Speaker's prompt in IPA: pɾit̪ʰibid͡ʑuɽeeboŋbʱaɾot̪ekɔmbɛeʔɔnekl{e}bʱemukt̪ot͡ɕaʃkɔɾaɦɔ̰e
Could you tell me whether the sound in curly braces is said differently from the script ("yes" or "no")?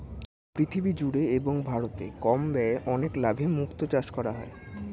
yes